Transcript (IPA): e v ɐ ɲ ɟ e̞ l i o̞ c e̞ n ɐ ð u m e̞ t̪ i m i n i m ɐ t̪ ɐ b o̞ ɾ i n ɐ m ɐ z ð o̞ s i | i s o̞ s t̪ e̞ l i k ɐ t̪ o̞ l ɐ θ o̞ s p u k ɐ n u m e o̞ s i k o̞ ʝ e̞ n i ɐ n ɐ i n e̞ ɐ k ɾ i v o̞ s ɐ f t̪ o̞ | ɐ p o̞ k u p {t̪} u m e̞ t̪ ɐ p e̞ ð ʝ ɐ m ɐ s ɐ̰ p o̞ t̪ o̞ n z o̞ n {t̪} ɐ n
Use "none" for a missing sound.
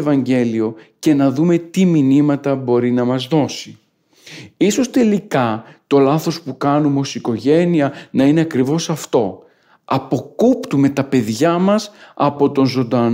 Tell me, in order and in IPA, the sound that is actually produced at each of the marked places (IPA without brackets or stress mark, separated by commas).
t̪, d̪